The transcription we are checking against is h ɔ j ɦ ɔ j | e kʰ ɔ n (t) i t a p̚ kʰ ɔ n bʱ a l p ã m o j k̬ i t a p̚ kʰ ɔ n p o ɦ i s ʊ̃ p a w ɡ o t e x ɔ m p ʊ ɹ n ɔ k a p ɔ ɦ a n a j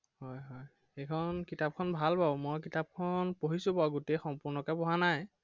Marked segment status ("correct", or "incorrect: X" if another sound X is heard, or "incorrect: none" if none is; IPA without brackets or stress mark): incorrect: k